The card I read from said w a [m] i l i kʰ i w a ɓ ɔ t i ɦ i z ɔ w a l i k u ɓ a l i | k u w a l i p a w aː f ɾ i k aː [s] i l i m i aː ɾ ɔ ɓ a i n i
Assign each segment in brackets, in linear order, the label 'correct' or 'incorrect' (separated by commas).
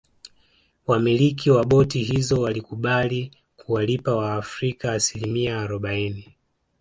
correct, correct